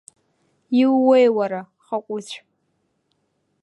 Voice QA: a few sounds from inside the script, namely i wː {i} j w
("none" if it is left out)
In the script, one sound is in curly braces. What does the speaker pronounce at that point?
e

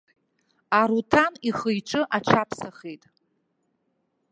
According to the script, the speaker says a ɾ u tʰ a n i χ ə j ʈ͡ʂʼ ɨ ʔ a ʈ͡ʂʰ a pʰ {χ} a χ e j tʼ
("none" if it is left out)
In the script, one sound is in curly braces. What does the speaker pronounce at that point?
s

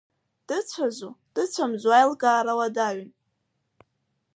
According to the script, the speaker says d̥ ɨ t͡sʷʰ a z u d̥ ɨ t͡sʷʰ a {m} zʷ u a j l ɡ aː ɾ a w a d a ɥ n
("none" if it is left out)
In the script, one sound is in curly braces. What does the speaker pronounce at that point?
m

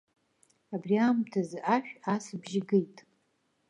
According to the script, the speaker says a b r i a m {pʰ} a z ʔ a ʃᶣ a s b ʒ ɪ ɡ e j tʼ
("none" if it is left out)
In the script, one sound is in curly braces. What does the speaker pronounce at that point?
tʰ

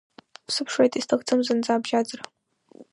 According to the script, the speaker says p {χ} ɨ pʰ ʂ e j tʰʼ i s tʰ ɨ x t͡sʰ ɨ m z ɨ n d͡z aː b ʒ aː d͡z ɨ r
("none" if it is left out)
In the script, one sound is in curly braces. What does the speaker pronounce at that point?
s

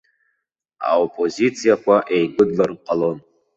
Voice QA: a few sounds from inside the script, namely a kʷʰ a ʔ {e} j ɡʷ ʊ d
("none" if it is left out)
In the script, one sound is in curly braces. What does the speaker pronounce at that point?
e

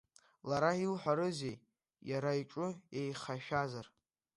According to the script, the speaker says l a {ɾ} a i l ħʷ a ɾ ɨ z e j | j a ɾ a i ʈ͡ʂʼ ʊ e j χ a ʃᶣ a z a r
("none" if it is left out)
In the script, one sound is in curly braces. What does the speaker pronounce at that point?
ɾ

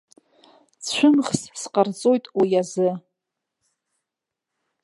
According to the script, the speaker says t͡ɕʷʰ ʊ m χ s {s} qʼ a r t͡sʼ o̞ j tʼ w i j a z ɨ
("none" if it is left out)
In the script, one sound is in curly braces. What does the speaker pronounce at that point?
s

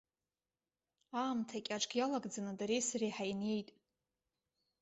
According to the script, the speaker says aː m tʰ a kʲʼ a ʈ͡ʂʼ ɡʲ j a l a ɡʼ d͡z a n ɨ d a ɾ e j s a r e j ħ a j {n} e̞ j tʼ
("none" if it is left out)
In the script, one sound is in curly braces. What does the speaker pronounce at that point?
n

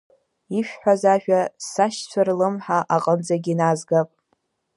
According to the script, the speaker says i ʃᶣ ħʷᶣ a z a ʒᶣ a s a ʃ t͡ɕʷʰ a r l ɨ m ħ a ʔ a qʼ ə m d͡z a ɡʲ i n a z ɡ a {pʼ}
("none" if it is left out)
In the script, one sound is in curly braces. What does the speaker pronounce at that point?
pʼ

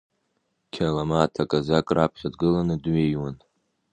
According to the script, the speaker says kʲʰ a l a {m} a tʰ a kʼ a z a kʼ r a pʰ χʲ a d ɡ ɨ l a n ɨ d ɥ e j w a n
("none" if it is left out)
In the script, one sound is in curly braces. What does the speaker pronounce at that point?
m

